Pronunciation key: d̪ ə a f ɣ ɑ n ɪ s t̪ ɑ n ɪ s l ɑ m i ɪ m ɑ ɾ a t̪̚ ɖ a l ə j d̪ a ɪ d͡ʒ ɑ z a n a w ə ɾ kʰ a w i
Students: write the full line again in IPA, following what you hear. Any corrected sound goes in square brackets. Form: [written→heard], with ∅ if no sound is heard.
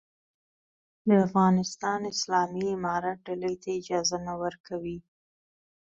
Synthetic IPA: d̪ ə a f ɣ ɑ n ɪ s t̪ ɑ n ɪ s l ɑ m i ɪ m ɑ ɾ a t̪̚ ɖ a l ə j [d̪→t̪] a ɪ d͡ʒ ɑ z a n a w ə ɾ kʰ a w i

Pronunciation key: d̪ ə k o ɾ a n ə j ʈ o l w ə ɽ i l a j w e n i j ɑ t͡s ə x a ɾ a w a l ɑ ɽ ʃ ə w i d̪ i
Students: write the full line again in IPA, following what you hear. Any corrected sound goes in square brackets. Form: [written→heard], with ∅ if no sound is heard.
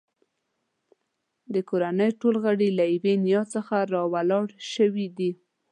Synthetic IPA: d̪ ə k o ɾ a n ə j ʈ o l [w→ɣ] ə ɽ i l a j w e n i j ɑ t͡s ə x a ɾ [a→ɑ] w a l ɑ ɽ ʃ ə w i d̪ i

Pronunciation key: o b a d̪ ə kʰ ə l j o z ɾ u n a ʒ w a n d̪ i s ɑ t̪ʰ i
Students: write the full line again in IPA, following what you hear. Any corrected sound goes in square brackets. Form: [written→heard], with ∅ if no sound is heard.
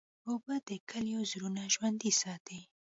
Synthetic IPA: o b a d̪ ə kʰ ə l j o z ɾ u n a ʒ w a n d̪ i s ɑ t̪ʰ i

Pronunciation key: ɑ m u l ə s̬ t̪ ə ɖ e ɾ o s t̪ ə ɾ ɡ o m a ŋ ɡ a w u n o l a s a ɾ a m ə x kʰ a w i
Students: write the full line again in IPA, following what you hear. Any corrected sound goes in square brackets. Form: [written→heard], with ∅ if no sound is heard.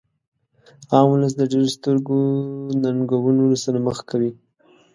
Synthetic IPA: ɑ m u l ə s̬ [t̪→d̪] ə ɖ e ɾ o s t̪ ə ɾ ɡ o [m→n] a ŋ ɡ a w u n o l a s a ɾ a m ə x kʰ a w i

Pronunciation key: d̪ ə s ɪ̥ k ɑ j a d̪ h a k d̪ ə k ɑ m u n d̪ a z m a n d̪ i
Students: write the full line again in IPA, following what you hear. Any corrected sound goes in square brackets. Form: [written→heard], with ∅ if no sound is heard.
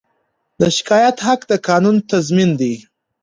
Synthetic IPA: d̪ ə [s→ʃ] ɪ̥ k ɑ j a [d̪→t̪] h a k d̪ ə k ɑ [m→n] u n [d̪→t̪] a z m [a→i] n d̪ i

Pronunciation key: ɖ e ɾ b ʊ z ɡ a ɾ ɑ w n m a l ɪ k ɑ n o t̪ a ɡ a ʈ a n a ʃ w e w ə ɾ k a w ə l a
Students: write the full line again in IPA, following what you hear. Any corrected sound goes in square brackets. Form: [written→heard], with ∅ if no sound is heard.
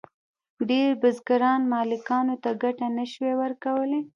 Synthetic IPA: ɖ e ɾ b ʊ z ɡ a ɾ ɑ [w→∅] n m [a→ɑ] l ɪ k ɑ n o t̪ a ɡ a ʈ a n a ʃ w e w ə ɾ k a w ə l [a→e]

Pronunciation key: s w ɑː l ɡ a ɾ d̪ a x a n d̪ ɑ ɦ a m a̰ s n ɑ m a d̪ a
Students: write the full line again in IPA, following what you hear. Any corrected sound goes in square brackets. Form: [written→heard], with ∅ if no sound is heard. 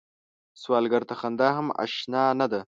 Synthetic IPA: s w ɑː l ɡ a ɾ [d̪→t̪] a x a n d̪ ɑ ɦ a m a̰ [s→ʃ] n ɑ [m→n] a d̪ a

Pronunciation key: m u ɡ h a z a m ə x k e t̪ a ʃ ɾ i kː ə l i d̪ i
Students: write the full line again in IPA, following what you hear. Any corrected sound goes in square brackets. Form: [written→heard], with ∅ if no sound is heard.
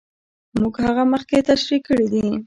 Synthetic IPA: m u ɡ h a [z→ɣ] a m ə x k e t̪ a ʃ ɾ i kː ə [l→ɽ] i d̪ i

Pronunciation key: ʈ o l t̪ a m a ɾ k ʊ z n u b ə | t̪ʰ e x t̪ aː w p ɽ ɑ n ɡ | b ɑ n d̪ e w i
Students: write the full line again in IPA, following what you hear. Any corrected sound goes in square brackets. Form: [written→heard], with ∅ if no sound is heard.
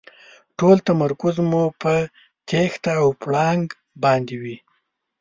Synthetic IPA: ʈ o l t̪ a m a ɾ k ʊ z [n→m] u [b→p] ə | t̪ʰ e x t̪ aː w p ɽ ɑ [n→ŋ] ɡ | b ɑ n d̪ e w i

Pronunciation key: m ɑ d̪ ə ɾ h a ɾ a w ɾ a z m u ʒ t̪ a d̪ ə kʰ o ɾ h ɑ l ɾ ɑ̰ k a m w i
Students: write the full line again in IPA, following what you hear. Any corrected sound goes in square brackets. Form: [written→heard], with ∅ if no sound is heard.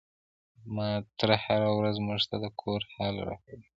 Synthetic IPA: m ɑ [d̪→t̪] ə ɾ h a ɾ a w ɾ a z m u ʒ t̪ a d̪ ə kʰ o ɾ h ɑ l ɾ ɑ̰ k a [m→∅] w i

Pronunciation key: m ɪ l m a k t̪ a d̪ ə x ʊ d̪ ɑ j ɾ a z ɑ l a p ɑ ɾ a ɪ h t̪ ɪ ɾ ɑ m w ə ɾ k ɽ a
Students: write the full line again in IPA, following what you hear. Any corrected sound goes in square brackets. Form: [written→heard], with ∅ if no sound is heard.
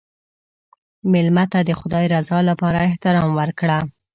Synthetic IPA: m ɪ l m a [k→∅] t̪ a d̪ ə x ʊ d̪ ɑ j ɾ a z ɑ l a p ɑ ɾ a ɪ h t̪ ɪ ɾ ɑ m w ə ɾ k ɽ a

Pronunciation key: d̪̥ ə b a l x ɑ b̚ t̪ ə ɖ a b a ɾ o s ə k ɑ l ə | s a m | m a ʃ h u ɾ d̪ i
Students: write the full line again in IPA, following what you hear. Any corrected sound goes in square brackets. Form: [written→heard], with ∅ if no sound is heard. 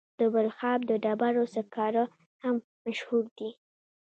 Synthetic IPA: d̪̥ ə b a l x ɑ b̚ [t̪→d̪] ə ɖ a b a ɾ o s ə k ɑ [l→ɾ] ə | [s→h] a m | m a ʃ h u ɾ d̪ i

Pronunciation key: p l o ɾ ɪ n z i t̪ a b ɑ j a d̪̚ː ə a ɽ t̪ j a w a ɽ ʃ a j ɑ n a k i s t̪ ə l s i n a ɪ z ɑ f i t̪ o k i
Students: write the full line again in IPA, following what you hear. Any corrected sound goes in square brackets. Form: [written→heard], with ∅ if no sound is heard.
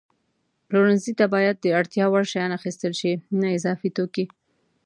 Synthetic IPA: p l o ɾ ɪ n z i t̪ a b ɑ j a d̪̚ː ə a ɽ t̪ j [a→ɑ] w a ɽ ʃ a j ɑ n a [k→x] i s t̪ ə l [s→ʃ] i n a ɪ z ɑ f i t̪ o k i

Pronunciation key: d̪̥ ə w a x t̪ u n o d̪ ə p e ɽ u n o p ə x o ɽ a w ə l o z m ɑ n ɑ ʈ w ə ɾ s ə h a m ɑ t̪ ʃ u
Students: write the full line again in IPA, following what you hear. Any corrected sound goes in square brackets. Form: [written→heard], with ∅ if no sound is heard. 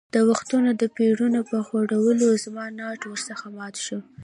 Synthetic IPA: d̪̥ ə w a x t̪ u n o d̪ ə p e ɽ u n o p ə x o ɽ a w ə l o z m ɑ n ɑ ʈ w ə ɾ s ə [h→x] a m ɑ t̪ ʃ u

